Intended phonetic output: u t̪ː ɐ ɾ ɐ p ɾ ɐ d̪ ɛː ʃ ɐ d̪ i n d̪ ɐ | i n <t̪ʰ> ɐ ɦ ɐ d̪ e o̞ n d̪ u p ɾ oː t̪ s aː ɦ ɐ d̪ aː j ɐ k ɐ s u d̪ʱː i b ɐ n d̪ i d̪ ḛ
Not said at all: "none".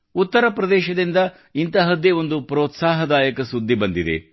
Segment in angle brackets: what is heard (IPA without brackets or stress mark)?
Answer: t̪